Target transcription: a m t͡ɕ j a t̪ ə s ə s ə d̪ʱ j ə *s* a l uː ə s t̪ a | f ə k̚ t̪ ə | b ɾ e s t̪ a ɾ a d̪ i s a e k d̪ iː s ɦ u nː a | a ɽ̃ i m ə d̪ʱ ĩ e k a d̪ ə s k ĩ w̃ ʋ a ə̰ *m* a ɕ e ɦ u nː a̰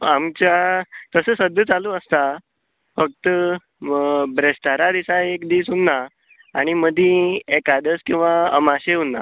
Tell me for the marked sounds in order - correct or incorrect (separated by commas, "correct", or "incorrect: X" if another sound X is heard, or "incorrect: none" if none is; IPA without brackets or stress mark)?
incorrect: t͡s, correct